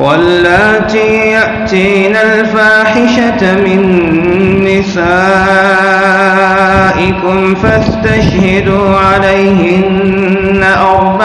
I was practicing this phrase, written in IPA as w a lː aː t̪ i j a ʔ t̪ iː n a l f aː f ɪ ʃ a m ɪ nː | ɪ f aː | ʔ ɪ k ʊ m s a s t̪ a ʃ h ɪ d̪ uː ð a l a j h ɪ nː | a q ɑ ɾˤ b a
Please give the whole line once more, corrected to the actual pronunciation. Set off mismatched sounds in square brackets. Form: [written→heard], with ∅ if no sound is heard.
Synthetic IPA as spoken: w a lː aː t̪ i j a ʔ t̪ iː n a l f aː [f→ħ] ɪ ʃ a m ɪ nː | ɪ [f→s] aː | ʔ ɪ k ʊ m [s→f] a s t̪ a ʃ h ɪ d̪ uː [ð→ʕ] a l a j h ɪ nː | a [q→ʔ] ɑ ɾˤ b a